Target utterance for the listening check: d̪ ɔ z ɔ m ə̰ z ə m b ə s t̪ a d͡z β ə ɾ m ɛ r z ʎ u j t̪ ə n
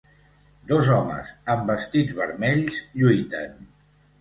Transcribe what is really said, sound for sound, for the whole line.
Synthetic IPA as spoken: d̪ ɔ z ɔ m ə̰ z ə m b ə s t̪ i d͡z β ə ɾ m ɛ ʎ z ʎ u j t̪ ə n